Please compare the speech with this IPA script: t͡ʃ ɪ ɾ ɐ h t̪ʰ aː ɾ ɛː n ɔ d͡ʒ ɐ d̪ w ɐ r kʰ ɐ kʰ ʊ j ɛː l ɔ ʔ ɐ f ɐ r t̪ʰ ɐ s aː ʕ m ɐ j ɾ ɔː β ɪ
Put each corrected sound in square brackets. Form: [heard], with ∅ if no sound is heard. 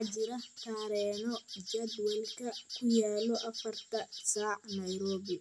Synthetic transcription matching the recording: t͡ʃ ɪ ɾ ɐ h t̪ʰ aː ɾ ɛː n ɔ d͡ʒ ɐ d̪ w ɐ [l] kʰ ɐ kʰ ʊ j [aː] l ɔ ʔ ɐ f ɐ r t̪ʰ ɐ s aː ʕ [n] ɐ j ɾ ɔː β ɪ